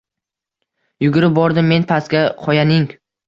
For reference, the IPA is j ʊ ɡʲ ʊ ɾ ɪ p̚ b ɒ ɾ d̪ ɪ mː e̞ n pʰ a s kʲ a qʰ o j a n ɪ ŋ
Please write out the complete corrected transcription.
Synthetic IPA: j ʊ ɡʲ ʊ ɾ ɪ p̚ b ɒ ɾ d̪ ɪ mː e̞ n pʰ a s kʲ a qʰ ɒ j a n ɪ ŋ